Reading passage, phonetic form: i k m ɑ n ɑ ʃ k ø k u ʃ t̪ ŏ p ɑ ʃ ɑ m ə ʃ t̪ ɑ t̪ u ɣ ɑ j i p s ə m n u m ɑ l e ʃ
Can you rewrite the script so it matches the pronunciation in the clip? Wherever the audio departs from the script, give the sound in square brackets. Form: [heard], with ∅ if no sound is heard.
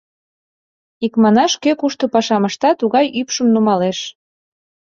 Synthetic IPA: i k m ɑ n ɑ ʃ k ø k u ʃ t̪ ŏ p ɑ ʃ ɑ m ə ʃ t̪ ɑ t̪ u ɣ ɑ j [y] p [ʃ] ə m n u m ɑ l e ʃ